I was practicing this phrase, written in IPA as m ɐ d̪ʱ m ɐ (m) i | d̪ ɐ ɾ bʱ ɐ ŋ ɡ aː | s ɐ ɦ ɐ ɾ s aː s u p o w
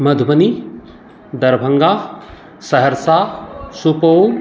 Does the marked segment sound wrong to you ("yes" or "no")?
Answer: yes